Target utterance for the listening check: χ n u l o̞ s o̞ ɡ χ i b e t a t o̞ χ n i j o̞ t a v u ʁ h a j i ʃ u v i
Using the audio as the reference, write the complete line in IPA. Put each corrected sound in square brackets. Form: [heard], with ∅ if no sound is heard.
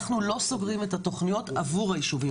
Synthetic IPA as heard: χ n u l o̞ s o̞ ɡ [ʁ] i [m] e t a t o̞ χ n i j o̞ t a v u ʁ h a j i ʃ u v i